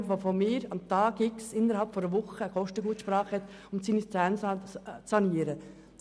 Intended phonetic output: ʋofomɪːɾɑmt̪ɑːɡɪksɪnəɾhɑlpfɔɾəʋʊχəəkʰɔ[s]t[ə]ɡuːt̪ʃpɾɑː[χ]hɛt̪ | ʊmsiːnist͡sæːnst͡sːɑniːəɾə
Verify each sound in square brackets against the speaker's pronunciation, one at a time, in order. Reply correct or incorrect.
incorrect, correct, correct

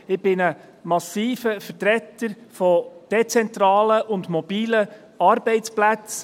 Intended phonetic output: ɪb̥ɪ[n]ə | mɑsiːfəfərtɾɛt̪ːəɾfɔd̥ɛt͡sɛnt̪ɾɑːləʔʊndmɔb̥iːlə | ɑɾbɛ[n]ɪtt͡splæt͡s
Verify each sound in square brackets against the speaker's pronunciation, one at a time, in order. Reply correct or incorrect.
correct, incorrect

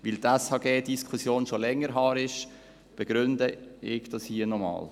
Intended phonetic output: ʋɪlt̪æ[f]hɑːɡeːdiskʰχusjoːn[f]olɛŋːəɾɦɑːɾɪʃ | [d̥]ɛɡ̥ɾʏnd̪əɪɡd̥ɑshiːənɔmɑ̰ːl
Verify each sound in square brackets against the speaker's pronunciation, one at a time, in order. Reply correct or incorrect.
incorrect, incorrect, incorrect

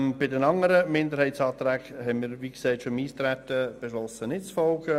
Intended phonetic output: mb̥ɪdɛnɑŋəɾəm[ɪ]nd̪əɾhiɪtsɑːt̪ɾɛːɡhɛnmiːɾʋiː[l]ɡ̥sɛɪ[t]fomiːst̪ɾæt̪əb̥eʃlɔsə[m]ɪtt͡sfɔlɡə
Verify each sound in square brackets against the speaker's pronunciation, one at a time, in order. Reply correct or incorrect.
correct, incorrect, correct, incorrect

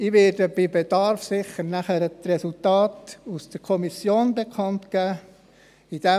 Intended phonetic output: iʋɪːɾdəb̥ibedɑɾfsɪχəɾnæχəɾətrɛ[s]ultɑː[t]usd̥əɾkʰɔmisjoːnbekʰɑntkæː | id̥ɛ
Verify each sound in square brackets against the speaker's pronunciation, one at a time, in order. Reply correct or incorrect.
correct, correct

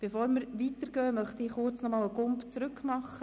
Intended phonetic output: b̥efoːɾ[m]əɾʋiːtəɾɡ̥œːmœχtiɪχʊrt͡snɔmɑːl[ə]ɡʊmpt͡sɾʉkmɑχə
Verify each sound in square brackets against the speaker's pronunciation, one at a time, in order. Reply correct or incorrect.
correct, correct

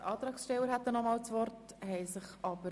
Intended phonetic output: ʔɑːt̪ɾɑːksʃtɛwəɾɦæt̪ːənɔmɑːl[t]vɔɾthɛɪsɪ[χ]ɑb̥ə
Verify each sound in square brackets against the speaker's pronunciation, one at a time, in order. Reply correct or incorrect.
incorrect, correct

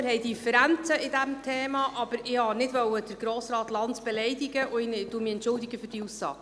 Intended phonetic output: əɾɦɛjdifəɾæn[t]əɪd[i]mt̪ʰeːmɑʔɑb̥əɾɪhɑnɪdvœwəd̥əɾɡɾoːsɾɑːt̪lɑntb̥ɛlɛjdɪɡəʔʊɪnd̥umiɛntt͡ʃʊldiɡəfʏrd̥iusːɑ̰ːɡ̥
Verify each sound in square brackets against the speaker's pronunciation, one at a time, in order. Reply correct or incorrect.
incorrect, incorrect

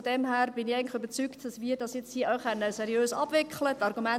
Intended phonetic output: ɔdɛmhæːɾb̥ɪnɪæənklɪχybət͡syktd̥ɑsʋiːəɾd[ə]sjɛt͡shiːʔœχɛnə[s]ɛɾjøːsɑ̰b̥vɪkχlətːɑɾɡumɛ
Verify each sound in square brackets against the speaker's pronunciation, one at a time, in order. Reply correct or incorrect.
incorrect, correct

